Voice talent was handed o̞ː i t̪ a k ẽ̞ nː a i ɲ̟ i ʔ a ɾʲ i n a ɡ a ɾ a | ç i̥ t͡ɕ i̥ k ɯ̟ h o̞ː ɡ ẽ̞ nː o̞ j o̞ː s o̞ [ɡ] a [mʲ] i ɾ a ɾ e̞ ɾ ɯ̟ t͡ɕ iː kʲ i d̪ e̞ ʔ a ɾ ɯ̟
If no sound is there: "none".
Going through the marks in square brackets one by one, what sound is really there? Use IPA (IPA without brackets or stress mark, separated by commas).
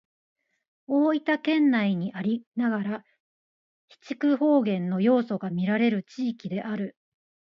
ɡ, mʲ